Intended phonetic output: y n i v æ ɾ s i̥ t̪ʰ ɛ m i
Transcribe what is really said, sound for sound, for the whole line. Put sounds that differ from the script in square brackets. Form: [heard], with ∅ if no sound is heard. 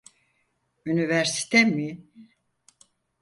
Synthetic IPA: y n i v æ ɾ s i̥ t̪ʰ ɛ m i